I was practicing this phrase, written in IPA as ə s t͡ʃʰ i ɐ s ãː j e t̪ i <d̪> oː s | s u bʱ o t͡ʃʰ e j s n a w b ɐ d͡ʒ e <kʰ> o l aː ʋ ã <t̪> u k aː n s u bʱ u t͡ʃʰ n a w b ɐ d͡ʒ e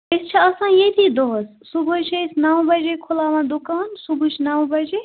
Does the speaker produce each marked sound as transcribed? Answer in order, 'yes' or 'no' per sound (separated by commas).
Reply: yes, yes, no